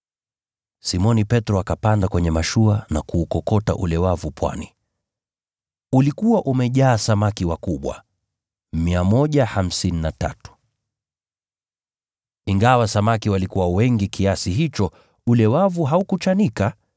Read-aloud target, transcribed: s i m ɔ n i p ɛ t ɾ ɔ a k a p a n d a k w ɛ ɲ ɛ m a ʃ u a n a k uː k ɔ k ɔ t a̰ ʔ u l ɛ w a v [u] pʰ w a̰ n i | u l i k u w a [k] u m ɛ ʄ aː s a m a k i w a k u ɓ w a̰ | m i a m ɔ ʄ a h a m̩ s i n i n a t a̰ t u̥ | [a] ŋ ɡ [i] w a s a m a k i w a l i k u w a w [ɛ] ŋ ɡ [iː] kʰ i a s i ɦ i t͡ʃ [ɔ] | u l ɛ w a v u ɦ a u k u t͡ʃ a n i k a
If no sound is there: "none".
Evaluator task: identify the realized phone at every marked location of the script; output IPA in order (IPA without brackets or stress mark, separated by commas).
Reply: u, ʔ, i, a, ɛ, i, ɔ